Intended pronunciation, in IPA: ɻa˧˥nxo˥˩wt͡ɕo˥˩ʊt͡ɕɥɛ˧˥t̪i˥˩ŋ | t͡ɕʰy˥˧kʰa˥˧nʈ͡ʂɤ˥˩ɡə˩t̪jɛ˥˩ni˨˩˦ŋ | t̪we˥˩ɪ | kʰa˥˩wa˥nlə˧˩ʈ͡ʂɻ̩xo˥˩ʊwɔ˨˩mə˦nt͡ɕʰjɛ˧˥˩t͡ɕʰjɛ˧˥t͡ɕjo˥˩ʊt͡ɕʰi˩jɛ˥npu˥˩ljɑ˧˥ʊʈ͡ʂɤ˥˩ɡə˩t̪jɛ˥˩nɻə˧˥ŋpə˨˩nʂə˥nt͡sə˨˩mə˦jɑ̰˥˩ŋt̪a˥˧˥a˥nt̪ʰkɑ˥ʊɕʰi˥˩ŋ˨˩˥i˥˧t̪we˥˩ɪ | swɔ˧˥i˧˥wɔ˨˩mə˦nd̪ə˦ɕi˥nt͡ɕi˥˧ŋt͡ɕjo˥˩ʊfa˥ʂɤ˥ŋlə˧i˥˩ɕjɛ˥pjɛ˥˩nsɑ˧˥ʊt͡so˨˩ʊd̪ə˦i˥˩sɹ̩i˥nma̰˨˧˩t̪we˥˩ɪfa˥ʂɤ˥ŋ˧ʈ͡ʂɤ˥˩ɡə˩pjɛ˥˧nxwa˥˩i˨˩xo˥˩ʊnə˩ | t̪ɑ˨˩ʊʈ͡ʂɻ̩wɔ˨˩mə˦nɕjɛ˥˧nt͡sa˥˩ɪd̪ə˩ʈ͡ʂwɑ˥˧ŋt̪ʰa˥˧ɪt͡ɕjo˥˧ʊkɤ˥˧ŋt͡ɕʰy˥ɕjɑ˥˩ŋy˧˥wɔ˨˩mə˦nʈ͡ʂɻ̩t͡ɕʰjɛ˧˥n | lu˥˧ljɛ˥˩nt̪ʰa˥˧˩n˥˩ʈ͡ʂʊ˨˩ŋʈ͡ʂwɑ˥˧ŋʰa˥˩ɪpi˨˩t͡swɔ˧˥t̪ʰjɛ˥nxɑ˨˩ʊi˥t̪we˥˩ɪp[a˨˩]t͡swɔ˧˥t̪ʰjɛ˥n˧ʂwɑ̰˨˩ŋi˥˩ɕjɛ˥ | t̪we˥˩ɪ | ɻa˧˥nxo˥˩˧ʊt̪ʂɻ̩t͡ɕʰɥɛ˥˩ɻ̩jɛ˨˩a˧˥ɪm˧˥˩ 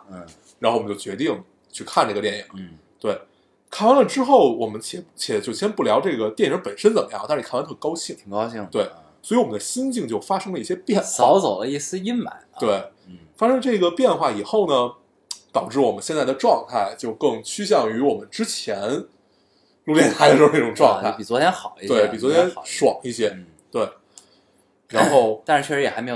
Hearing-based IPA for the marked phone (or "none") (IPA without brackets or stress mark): i˨˩